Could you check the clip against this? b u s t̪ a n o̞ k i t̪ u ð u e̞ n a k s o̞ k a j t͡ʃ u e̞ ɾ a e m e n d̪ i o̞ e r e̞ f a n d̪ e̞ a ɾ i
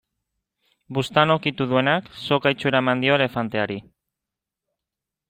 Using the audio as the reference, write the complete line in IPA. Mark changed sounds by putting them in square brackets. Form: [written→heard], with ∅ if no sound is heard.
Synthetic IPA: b u s t̪ a n o̞ k i t̪ u ð u e̞ n a k s o̞ k a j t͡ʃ u e̞ ɾ a e m [e→a] n d̪ i o̞ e [r→l] e̞ f a n [d̪→t̪] e̞ a ɾ i